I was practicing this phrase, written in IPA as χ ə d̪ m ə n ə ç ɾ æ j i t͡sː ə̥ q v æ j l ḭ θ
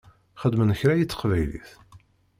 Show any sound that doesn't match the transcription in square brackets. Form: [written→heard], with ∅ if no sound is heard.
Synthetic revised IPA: χ ə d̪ m ə n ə ç ɾ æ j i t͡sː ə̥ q v æ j l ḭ θ